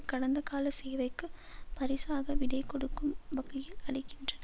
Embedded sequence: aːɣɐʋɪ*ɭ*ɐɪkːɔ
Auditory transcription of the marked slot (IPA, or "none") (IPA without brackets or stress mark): ɽ